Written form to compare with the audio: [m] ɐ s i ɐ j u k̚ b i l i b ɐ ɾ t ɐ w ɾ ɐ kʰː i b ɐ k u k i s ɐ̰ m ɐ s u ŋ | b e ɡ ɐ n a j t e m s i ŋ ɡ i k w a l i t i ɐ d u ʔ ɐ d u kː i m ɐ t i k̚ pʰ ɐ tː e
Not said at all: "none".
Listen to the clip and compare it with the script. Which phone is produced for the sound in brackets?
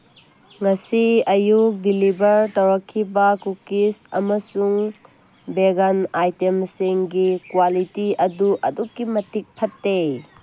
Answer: ŋ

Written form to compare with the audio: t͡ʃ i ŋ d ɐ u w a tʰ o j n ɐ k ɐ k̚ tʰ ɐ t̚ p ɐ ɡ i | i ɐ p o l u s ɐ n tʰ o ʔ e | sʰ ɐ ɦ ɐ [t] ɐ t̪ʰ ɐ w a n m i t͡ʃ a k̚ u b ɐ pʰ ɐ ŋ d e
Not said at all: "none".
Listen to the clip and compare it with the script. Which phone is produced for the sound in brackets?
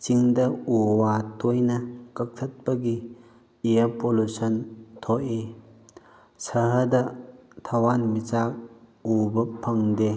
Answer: d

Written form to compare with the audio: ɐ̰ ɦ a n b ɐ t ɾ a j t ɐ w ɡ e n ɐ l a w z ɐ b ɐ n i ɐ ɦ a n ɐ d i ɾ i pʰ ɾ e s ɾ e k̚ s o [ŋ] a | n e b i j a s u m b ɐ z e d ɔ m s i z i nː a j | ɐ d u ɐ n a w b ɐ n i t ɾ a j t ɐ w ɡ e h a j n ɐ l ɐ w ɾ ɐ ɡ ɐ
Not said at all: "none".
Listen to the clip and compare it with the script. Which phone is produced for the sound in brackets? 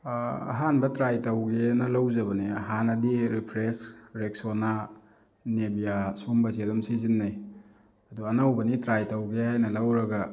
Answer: n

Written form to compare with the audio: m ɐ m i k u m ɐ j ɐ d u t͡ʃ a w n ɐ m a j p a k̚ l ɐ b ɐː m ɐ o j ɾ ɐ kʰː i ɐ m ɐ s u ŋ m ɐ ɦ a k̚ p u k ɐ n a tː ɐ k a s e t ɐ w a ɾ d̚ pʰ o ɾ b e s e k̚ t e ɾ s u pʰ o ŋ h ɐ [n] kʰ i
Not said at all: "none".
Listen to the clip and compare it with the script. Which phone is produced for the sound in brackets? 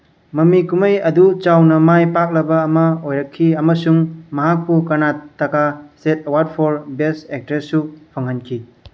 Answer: n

